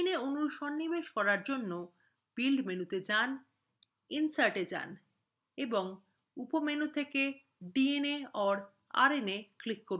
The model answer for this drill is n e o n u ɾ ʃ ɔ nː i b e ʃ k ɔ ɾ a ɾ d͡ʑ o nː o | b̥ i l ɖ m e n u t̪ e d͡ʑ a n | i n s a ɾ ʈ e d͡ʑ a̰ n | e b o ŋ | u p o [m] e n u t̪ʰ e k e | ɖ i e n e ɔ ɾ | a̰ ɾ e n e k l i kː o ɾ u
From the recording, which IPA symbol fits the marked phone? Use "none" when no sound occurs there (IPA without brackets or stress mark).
m